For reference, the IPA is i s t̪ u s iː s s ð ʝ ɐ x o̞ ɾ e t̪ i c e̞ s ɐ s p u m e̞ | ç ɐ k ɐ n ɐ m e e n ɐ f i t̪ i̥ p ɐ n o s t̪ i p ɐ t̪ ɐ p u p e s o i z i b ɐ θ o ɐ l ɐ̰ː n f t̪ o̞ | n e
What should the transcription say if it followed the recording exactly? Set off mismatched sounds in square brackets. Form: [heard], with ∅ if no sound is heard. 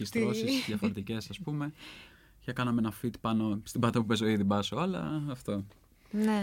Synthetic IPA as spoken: i s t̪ [o] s [i] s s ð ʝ ɐ [f] o̞ ɾ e t̪ i c e̞ s ɐ s p u m e̞ | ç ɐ k ɐ n ɐ m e e n ɐ f i t̪ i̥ p ɐ n o s t̪ i [b] ɐ t̪ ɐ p u p e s o i [ð] i b ɐ [s] o ɐ l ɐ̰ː [∅] f t̪ o̞ | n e